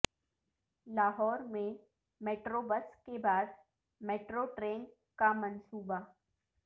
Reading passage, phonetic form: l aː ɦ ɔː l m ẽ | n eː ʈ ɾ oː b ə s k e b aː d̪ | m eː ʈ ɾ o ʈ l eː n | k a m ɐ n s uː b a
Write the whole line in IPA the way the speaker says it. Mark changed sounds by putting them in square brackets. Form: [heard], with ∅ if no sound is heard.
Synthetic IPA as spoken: l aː ɦ ɔː [ɾ] m ẽ | [m] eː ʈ ɾ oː b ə s k e b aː d̪ | m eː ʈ ɾ o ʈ [ɾ] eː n | k a m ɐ n s uː b a

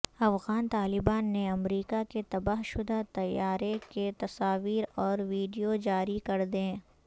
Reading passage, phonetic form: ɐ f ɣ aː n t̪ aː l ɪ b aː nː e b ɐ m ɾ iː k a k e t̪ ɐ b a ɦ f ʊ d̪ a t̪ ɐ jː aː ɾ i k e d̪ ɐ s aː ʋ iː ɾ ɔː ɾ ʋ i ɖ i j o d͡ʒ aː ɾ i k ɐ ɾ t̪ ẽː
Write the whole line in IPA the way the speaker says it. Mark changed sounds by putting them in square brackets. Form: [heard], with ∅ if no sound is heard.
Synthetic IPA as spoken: ɐ f ɣ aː n t̪ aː l ɪ b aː nː e [∅] ɐ m ɾ iː k a k e t̪ ɐ b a ɦ [ʃ] ʊ d̪ a t̪ ɐ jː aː ɾ [e] k e [t̪] ɐ s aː ʋ iː ɾ ɔː ɾ ʋ [iː] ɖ i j o d͡ʒ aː ɾ i k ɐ ɾ [d̪] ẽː

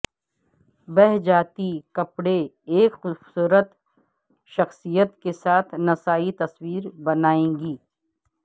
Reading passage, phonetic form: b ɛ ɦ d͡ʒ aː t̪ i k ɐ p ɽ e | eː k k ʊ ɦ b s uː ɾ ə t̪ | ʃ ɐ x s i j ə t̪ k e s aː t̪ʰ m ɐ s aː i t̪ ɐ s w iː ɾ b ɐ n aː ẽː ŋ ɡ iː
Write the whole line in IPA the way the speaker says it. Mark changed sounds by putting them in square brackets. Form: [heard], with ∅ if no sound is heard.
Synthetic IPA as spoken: b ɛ ɦ d͡ʒ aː t̪ i k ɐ p ɽ e | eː k [x] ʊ [∅] b s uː ɾ ə t̪ | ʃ ɐ x s i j ə t̪ k e s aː t̪ʰ [n] ɐ s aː i t̪ ɐ s w iː ɾ b ɐ n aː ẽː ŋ ɡ iː

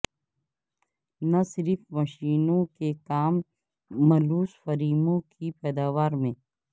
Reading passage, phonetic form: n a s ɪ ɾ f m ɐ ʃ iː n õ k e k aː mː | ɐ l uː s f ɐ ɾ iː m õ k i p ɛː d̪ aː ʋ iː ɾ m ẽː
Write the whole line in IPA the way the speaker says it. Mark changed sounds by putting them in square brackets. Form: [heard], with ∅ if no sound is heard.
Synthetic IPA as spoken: n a s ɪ ɾ f m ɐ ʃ iː n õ k e k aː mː | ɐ l uː s f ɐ ɾ iː m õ k i p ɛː d̪ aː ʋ [aː] ɾ m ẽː

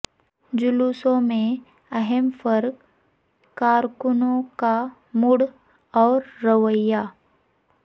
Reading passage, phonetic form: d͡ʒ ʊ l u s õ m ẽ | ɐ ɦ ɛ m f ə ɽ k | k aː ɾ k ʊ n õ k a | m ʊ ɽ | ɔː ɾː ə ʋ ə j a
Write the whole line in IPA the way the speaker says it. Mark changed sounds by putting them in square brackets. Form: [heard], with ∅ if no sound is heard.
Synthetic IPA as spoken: d͡ʒ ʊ l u s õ m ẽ | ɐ ɦ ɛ m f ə [ɾ] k | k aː ɾ k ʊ n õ k a | m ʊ ɽ | ɔː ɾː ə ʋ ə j a

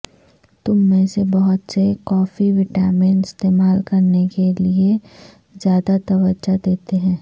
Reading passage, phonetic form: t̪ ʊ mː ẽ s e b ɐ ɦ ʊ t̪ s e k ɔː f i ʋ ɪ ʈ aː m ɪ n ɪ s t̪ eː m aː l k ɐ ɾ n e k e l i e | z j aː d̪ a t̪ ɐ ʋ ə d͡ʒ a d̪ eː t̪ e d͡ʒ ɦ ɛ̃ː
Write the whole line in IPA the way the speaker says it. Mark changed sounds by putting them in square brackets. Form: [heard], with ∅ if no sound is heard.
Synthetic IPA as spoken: t̪ ʊ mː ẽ s e b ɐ ɦ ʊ t̪ s e k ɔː f i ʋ ɪ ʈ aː m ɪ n ɪ s t̪ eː m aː l k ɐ ɾ n e k e l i e | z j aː d̪ a t̪ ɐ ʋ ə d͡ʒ a d̪ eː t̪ e [∅] ɦ ɛ̃ː

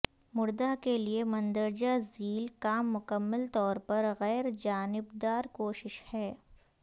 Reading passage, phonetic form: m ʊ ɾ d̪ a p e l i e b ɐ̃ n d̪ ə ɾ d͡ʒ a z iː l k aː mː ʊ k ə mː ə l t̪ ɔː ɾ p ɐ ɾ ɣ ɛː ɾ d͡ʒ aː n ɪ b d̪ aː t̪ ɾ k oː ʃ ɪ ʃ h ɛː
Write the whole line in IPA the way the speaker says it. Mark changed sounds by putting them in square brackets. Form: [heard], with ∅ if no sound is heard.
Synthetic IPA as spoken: m ʊ ɾ d̪ a [k] e l i e [m] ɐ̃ n d̪ ə ɾ d͡ʒ a z iː l k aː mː ʊ k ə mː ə l t̪ ɔː ɾ p ɐ ɾ ɣ ɛː ɾ d͡ʒ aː n ɪ b d̪ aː [∅] ɾ k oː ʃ ɪ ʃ h ɛː

